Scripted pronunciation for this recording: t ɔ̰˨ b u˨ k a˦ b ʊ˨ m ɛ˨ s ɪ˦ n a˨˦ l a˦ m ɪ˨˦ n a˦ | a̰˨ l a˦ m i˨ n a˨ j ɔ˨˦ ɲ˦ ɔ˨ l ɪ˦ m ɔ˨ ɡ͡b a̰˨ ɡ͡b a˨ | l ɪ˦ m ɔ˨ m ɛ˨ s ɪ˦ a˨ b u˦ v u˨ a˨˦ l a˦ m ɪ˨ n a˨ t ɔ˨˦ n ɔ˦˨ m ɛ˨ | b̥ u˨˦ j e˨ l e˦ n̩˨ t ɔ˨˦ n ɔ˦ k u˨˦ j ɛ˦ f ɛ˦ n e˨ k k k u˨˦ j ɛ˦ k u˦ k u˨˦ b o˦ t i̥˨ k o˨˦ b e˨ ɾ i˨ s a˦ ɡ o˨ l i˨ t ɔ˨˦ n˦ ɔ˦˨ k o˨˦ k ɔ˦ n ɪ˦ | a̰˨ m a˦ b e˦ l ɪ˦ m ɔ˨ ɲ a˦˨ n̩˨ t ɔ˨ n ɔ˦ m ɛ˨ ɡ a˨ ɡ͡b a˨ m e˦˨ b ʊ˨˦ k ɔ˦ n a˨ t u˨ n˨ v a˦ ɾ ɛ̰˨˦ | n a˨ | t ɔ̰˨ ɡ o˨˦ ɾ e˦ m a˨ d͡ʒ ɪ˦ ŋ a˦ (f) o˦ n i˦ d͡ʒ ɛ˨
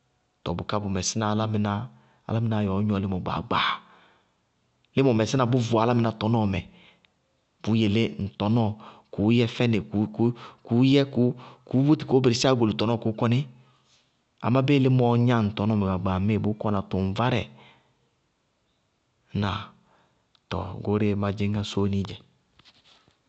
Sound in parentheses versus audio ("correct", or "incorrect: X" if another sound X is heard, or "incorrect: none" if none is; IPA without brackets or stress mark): incorrect: s